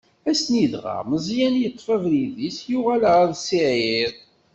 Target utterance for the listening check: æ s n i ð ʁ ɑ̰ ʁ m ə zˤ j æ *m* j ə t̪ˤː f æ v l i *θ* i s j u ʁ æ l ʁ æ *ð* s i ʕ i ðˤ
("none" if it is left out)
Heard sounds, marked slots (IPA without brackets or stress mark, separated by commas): n, ð, ð